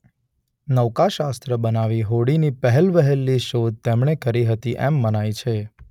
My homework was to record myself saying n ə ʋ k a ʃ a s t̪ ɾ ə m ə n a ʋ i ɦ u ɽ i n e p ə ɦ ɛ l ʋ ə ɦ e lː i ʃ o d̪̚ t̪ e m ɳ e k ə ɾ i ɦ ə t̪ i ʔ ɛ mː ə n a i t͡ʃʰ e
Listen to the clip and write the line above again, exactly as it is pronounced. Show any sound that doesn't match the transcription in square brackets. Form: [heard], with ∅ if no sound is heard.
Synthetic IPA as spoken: n ə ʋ k a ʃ a s t̪ ɾ ə [b] ə n a ʋ i ɦ [o] ɽ i n [i] p ə ɦ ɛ l ʋ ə ɦ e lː i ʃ o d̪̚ t̪ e m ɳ e k ə ɾ i ɦ ə t̪ i ʔ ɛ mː ə n a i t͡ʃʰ e